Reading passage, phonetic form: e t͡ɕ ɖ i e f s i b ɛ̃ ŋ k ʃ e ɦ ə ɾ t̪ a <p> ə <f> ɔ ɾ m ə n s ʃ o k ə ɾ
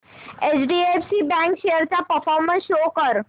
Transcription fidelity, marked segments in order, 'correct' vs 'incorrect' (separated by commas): correct, correct